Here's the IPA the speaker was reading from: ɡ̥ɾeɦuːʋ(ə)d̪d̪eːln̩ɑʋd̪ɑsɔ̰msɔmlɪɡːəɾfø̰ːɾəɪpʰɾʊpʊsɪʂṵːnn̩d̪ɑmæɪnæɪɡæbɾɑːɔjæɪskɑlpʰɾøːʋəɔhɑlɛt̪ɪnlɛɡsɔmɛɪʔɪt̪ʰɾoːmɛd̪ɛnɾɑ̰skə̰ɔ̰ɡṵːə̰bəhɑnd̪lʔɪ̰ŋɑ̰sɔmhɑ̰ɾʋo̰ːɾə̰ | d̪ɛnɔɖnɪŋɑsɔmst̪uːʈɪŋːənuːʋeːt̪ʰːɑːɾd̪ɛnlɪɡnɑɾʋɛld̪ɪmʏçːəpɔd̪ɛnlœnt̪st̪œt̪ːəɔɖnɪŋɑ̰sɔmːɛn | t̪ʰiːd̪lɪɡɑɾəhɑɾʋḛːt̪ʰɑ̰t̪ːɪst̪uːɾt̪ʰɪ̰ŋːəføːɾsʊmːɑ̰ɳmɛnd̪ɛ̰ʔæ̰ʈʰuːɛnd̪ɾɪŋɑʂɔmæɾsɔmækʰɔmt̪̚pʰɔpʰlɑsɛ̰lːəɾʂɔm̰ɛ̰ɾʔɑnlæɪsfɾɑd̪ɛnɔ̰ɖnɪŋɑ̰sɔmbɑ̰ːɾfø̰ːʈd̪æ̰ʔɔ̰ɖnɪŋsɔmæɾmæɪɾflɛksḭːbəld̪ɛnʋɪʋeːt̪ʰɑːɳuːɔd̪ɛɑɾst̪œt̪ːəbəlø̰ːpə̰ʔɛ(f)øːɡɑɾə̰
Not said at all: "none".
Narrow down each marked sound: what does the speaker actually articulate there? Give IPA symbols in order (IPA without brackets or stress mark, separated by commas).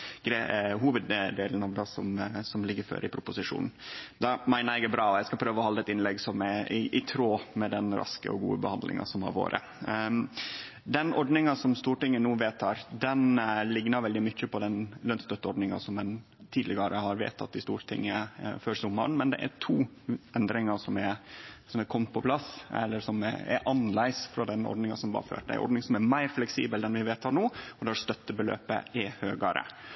ə, h